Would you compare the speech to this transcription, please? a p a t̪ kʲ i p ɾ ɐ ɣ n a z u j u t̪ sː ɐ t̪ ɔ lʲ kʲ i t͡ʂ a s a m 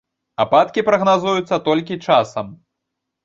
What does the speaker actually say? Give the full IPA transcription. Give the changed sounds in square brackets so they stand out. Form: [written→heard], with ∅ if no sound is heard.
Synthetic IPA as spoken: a p a t̪ kʲ i p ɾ ɐ ɣ n a z u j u t̪ sː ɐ t̪ ɔ lʲ kʲ i t͡ʂ a s [a→ɐ] m

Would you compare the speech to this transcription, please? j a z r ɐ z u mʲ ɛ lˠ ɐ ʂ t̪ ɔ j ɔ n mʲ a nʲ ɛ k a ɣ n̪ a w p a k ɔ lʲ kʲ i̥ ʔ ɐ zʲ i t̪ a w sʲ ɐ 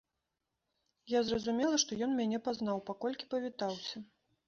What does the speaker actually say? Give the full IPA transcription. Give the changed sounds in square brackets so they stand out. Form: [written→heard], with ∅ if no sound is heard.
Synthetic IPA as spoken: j a z r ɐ z u mʲ ɛ lˠ ɐ ʂ t̪ ɔ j ɔ n mʲ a nʲ ɛ [k→p] a [ɣ→z] n̪ a w p a k ɔ lʲ kʲ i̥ [ʔ→p] ɐ [zʲ→vʲ] i t̪ a w sʲ ɐ

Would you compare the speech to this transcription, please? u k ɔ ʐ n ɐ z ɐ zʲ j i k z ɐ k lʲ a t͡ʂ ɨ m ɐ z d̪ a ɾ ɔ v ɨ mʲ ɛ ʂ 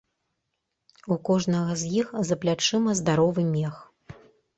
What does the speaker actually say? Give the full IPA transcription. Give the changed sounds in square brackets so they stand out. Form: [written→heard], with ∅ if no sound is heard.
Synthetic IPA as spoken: u k ɔ ʐ n ɐ [z→ɣ] ɐ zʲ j i [k→x] z ɐ [k→p] lʲ a t͡ʂ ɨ m ɐ z d̪ a ɾ ɔ v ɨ mʲ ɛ [ʂ→x]

